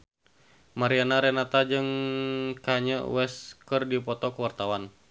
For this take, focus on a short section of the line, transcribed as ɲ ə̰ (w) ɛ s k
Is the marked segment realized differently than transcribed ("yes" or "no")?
no